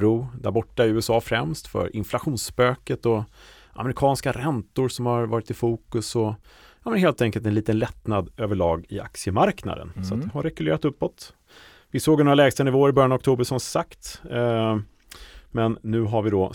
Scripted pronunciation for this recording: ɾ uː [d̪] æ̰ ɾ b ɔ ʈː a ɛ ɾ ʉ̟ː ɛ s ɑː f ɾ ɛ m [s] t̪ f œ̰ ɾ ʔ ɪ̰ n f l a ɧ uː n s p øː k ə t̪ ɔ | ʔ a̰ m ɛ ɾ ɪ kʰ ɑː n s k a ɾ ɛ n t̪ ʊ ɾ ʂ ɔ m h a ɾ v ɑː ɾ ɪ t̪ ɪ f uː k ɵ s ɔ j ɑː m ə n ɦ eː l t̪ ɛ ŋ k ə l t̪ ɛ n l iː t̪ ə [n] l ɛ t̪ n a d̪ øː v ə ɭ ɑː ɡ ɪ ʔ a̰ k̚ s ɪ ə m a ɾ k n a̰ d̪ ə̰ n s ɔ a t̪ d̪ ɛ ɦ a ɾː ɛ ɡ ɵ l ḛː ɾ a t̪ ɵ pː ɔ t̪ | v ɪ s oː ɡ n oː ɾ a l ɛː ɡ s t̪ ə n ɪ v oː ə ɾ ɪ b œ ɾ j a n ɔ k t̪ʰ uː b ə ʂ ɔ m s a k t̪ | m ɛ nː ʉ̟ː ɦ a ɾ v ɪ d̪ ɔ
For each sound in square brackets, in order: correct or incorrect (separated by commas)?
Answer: correct, correct, correct